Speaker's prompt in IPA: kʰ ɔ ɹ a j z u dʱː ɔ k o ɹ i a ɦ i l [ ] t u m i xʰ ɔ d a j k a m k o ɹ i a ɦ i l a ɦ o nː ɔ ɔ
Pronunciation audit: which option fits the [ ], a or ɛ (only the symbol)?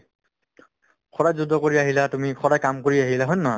a